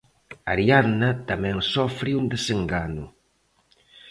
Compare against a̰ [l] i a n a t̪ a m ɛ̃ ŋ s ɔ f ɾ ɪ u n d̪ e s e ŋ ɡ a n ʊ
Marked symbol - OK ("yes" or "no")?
no